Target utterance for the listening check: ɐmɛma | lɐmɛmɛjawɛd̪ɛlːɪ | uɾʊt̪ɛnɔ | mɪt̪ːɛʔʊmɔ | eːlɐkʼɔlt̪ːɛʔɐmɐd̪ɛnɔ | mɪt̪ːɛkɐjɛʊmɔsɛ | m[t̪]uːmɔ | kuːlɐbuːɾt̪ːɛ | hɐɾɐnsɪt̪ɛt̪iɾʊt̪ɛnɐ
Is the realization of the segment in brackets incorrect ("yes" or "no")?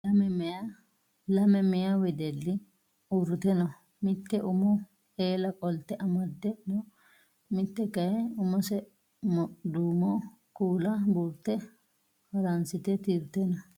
yes